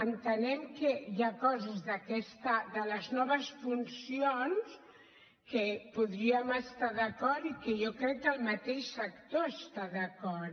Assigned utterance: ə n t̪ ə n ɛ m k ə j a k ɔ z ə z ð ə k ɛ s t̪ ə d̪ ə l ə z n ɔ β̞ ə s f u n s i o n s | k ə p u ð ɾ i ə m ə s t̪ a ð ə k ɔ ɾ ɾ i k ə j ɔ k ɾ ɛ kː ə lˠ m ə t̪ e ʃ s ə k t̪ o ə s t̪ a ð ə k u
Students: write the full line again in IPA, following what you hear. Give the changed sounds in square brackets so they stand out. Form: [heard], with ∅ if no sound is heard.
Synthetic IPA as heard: ə n t̪ ə n ɛ m k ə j a k ɔ z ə z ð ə k ɛ s t̪ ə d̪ ə l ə z n ɔ β̞ ə s f u n s i o n s | k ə p u ð ɾ i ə m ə s t̪ a ð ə k ɔ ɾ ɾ i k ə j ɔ k ɾ ɛ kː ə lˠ m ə t̪ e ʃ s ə k t̪ o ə s t̪ a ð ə k [ɔ]